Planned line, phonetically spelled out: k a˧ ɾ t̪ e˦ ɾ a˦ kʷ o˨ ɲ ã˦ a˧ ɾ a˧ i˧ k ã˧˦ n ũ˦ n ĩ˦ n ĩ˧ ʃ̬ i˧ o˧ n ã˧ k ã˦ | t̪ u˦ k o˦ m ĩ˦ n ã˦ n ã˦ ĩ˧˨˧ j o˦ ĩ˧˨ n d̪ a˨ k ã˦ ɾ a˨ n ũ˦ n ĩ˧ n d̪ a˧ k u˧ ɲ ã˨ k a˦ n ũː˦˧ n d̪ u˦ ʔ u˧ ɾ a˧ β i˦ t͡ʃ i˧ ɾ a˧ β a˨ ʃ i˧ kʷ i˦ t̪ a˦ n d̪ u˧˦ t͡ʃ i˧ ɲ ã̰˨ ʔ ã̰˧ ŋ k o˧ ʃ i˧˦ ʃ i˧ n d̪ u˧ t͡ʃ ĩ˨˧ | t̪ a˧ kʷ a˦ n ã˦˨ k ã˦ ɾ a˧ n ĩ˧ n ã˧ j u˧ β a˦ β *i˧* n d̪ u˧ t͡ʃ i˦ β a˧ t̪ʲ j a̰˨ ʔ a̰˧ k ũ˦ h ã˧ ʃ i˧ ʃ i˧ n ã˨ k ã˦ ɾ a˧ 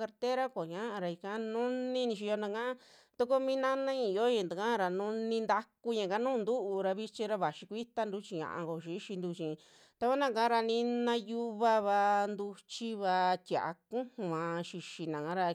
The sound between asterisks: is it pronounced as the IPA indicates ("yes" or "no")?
no